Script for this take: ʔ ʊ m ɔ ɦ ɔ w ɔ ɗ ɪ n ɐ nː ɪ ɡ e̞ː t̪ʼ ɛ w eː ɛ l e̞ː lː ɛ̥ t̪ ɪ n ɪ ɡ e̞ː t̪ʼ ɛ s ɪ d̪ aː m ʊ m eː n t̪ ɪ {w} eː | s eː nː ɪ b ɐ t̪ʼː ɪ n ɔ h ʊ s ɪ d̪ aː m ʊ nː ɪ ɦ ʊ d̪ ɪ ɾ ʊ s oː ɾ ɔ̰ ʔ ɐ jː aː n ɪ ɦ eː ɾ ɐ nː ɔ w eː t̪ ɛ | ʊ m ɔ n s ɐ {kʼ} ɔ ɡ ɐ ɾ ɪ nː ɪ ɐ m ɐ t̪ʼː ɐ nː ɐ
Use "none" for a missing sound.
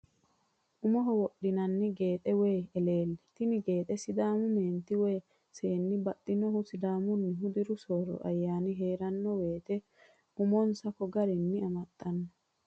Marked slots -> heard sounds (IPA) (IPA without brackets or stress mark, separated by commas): w, k